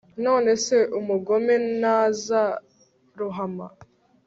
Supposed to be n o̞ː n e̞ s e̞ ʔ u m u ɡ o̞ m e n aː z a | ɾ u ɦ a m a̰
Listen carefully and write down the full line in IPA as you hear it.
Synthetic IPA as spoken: n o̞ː n e̞ s e̞ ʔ u m u ɡ o̞ m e n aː z a | ɾ u ɦ a m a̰